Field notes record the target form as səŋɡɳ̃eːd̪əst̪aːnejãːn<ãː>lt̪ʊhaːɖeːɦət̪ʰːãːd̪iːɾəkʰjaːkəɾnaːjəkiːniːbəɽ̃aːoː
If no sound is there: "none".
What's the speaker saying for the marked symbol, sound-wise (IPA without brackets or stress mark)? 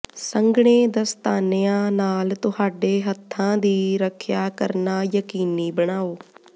aː